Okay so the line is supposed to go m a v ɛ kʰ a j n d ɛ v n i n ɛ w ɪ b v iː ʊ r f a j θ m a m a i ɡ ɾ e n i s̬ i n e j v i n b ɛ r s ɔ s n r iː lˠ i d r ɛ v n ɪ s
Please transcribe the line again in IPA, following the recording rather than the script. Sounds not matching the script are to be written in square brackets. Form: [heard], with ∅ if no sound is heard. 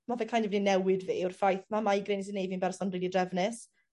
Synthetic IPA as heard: m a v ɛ kʰ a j n d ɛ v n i n ɛ w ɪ [d] v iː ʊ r f a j θ m a m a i ɡ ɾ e n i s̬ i n e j v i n b ɛ r s ɔ [∅] n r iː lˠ i d r ɛ v n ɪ s